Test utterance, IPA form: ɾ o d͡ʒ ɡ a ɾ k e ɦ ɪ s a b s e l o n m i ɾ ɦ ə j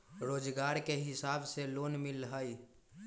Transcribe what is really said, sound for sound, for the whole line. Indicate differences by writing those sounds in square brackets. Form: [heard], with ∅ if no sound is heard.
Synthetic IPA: ɾ o d͡ʒ ɡ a ɾ k e ɦ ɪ s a b s e l o n m i [l] ɦ ə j